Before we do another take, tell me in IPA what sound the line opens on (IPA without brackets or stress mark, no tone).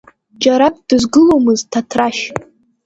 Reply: d͡ʒ